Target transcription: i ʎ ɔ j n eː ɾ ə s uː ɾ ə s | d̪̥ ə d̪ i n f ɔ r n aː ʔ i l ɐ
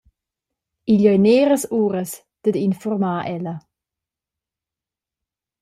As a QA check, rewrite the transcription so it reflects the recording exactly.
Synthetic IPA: i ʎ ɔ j n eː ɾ ə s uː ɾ ə s | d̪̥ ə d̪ i n f ɔ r m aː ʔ ɛ l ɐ